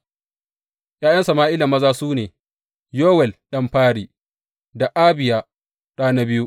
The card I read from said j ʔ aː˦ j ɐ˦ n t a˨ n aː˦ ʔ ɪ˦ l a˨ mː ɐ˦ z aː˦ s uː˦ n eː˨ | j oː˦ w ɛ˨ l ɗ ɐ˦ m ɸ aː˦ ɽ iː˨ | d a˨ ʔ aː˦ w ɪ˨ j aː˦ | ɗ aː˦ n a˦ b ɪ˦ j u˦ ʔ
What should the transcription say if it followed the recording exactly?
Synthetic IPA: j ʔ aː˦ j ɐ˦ n s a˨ m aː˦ ʔ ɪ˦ l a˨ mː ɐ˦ z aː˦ s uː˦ n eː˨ | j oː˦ w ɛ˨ l ɗ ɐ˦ m ɸ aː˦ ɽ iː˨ | d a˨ ʔ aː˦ b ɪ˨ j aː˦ | ɗ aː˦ n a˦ b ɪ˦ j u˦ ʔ